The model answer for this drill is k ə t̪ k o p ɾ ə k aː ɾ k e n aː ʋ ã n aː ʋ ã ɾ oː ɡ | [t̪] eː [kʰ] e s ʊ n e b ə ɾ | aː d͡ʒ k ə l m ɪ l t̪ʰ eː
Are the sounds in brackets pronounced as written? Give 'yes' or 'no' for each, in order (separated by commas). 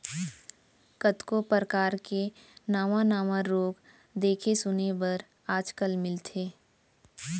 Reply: no, yes